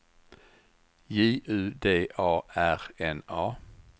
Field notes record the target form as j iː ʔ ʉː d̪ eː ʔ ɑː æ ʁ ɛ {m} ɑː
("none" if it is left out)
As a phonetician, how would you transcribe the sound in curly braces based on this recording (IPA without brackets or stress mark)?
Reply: n